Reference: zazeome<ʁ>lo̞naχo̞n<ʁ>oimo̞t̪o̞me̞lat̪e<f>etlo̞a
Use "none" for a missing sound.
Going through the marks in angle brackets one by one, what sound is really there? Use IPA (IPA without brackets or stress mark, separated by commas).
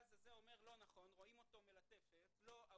ʁ, ʁ, f